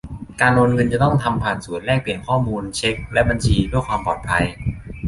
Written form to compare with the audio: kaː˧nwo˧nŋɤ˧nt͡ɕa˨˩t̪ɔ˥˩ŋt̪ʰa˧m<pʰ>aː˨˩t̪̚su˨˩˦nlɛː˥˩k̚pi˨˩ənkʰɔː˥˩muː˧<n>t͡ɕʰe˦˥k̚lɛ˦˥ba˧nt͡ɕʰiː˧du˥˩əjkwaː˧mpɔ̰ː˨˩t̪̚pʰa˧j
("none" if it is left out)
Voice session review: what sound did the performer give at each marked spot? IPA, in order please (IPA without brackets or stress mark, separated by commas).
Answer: pʰ, n